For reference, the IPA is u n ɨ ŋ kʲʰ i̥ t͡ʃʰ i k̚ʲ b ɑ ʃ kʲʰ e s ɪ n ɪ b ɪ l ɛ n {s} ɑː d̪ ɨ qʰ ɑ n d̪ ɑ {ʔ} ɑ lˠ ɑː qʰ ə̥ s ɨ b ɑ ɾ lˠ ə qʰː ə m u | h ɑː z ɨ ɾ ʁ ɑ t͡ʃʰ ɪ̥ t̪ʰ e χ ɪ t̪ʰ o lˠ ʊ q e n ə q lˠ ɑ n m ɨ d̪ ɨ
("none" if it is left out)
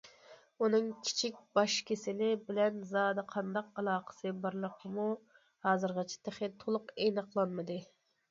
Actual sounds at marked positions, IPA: z, q

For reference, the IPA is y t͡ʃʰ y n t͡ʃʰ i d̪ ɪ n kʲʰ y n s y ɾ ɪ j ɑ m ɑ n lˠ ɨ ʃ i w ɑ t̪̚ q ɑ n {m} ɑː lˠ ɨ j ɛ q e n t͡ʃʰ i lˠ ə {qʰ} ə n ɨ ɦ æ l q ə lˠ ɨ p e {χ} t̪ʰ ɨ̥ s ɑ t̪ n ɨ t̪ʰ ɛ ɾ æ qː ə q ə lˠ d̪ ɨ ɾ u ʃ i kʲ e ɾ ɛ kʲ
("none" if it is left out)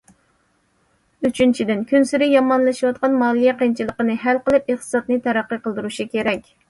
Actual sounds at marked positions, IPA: m, q, χ

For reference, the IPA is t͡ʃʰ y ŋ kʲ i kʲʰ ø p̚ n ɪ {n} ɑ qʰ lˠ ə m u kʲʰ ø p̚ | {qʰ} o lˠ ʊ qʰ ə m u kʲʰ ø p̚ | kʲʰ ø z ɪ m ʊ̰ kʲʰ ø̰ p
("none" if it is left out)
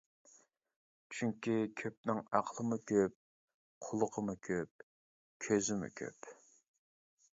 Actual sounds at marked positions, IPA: ŋ, qʰ

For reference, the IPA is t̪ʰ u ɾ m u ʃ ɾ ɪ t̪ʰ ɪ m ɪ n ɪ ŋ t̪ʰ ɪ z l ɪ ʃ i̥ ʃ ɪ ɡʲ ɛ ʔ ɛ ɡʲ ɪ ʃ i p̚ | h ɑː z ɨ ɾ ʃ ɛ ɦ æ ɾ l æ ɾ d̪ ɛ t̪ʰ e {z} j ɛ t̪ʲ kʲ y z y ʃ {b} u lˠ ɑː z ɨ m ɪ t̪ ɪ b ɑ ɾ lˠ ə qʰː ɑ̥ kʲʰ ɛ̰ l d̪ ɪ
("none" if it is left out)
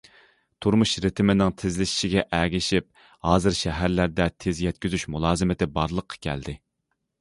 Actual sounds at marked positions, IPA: z, m

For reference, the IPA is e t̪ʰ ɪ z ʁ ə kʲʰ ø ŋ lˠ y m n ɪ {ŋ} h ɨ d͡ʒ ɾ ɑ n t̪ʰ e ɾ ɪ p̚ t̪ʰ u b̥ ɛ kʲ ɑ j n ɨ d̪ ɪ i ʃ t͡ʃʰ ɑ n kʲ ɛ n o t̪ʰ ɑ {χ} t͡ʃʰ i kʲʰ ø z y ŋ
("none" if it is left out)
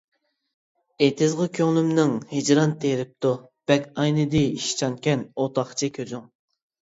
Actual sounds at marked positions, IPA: ŋ, χ

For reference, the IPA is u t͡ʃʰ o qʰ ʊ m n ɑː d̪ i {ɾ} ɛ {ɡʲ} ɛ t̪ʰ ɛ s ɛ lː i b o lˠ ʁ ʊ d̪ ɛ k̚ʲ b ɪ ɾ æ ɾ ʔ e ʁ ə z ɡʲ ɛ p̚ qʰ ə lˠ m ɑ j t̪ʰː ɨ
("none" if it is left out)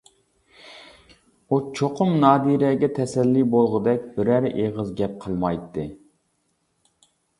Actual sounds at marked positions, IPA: ɾ, ɡʲ

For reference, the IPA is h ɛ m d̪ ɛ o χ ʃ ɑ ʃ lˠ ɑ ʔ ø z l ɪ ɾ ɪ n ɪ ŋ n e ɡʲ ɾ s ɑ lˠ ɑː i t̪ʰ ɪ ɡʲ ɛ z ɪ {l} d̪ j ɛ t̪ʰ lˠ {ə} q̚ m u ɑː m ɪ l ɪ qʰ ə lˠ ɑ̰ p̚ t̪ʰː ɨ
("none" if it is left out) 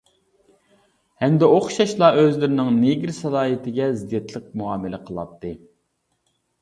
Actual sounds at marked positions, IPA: none, ə

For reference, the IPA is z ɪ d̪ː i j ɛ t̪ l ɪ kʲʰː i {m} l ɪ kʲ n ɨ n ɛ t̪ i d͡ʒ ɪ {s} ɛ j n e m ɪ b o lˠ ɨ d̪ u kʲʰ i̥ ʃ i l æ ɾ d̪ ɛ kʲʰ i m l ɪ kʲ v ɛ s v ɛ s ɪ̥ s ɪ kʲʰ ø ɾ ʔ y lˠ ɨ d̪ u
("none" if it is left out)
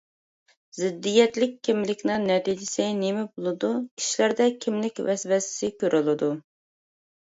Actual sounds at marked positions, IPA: m, s

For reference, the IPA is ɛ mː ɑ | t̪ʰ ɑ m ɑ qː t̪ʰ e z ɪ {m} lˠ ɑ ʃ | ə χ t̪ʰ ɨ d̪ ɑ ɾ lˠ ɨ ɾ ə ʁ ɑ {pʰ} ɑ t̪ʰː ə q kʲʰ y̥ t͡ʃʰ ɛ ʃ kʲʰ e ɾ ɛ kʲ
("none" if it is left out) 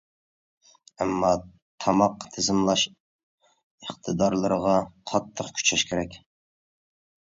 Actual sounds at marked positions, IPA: m, qʰ

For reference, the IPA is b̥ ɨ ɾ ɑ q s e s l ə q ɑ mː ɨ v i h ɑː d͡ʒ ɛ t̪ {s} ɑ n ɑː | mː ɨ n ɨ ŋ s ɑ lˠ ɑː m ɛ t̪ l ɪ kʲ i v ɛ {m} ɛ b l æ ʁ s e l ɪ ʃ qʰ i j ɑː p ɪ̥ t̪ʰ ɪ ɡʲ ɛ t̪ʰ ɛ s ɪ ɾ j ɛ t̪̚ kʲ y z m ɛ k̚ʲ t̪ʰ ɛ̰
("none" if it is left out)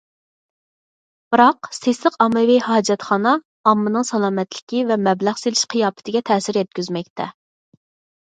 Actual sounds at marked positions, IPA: χ, m

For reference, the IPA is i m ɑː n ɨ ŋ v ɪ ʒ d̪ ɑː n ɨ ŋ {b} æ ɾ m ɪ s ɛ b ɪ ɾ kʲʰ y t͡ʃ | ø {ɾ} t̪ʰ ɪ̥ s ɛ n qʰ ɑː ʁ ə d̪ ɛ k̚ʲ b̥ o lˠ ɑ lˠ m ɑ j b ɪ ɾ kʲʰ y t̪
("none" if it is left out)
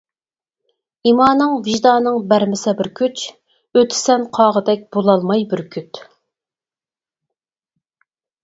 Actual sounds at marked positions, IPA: b, none

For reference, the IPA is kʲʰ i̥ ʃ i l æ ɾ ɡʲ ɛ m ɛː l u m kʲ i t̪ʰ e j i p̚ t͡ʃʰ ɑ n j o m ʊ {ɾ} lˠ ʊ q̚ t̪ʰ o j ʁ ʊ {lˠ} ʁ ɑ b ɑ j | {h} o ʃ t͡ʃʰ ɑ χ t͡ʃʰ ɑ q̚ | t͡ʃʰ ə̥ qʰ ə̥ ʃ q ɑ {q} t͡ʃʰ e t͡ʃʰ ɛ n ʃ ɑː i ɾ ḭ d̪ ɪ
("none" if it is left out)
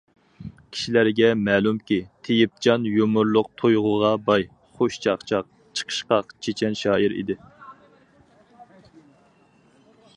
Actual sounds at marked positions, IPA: ɾ, none, χ, q

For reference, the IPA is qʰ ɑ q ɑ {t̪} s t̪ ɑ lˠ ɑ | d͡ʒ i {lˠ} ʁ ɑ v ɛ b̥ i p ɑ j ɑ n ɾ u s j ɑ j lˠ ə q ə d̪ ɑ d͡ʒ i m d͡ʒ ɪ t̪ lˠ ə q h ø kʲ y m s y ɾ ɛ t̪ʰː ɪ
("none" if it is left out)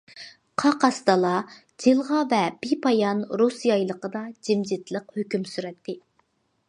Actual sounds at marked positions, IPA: none, lˠ

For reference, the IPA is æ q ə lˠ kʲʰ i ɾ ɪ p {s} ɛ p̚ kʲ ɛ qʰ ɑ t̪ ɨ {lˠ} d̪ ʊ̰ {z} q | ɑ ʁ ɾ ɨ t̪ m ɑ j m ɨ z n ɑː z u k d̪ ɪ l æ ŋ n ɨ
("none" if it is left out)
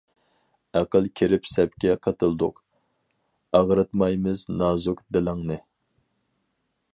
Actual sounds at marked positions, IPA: s, lˠ, none

